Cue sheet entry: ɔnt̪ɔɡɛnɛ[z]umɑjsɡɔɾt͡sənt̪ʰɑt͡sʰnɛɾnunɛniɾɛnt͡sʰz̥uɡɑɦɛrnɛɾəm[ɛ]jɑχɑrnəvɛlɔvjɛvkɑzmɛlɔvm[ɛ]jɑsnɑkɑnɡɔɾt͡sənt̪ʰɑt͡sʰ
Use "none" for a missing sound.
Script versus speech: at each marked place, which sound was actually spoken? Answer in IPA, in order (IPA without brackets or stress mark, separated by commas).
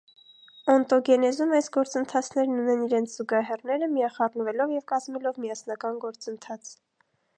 z, i, i